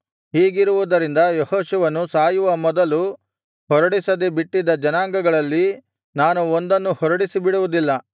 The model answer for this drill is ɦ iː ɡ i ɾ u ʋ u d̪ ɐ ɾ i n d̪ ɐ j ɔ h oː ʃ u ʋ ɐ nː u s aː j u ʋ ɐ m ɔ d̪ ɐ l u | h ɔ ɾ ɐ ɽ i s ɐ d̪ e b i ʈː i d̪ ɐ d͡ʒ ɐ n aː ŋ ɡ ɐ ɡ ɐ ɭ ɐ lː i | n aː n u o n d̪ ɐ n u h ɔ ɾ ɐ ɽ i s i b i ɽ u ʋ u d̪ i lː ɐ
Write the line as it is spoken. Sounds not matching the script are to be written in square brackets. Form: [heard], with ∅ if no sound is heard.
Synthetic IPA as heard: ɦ iː ɡ i ɾ u ʋ u d̪ ɐ ɾ i n d̪ ɐ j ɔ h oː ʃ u ʋ ɐ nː u s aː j u ʋ ɐ m ɔ d̪ ɐ l u | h ɔ ɾ ɐ ɽ i s ɐ d̪ e b i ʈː i d̪ ɐ d͡ʒ ɐ n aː ŋ ɡ ɐ ɡ ɐ ɭ ɐ lː i | n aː n u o n d̪ ɐ [nː] u h ɔ ɾ ɐ ɽ i s i b i ɽ u ʋ u d̪ i lː ɐ

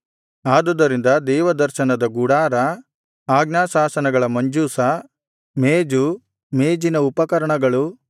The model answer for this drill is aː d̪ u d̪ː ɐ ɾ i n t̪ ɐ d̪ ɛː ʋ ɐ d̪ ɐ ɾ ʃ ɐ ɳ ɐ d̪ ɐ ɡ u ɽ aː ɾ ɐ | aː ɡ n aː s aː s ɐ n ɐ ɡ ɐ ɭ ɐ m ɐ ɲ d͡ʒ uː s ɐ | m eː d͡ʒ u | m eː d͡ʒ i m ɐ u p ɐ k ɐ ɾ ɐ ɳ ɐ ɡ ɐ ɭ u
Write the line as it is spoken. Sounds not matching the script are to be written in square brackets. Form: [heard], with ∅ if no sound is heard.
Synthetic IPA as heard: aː d̪ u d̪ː ɐ ɾ i n [d̪] ɐ d̪ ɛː ʋ ɐ d̪ ɐ ɾ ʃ ɐ [n] ɐ d̪ ɐ ɡ u ɽ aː ɾ ɐ | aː ɡ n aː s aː s ɐ n ɐ ɡ ɐ ɭ ɐ m ɐ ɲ d͡ʒ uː s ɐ | m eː d͡ʒ u | m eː d͡ʒ i [n] ɐ u p ɐ k ɐ ɾ ɐ ɳ ɐ ɡ ɐ ɭ u

